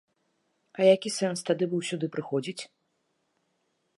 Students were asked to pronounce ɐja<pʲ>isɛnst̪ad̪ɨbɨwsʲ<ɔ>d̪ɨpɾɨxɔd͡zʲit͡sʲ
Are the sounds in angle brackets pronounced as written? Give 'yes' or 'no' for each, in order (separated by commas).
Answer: no, no